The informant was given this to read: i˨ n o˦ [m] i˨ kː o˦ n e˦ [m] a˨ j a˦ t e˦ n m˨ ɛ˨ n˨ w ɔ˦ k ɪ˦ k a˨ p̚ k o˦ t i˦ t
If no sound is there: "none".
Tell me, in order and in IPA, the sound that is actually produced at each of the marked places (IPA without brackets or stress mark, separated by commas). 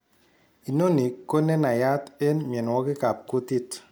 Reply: n, n